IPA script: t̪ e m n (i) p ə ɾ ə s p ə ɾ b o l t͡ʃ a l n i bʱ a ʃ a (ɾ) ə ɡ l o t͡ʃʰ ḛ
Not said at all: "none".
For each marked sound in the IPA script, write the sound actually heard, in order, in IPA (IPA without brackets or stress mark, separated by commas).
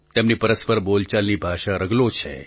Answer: i, ɾ